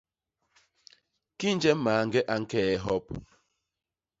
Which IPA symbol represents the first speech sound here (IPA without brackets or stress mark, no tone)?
k